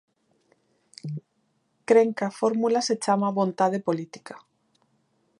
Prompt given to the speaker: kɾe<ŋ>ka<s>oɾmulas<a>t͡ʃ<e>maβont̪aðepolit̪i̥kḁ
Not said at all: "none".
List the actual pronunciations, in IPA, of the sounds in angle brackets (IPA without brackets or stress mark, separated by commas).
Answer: ŋ, f, e, a